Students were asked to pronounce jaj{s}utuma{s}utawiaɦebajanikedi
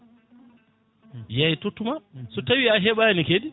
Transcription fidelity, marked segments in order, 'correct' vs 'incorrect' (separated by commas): incorrect, correct